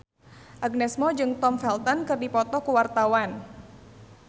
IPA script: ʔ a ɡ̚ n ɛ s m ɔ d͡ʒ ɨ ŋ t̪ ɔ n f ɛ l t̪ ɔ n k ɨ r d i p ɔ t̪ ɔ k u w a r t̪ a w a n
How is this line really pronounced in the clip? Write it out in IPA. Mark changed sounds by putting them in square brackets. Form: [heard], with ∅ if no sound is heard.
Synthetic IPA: ʔ a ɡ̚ n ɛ s m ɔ d͡ʒ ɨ ŋ t̪ ɔ [m] f ɛ l t̪ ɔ n k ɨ r d i p ɔ t̪ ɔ k u w a r t̪ a w a n